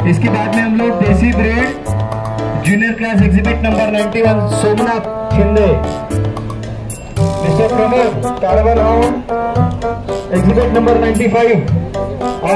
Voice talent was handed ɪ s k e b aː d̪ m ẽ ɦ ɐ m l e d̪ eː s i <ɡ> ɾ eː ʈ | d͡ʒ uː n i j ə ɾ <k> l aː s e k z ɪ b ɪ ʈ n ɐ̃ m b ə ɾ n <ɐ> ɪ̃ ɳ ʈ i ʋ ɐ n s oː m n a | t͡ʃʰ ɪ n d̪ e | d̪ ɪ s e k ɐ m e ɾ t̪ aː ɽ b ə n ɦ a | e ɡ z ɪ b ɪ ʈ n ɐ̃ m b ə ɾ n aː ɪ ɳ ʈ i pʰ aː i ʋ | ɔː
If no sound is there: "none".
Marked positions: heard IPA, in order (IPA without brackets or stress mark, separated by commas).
b, k, a